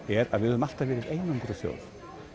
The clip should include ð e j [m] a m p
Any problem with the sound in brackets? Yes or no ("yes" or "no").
yes